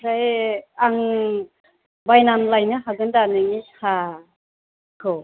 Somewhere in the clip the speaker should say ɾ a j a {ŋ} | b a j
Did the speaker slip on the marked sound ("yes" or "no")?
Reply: no